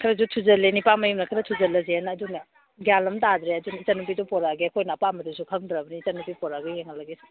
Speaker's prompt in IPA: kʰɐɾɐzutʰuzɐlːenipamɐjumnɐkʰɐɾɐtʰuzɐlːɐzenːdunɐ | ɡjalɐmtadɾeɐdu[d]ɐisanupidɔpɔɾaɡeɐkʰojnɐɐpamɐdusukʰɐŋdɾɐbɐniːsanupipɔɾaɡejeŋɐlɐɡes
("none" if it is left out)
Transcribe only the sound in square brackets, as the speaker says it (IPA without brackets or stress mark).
n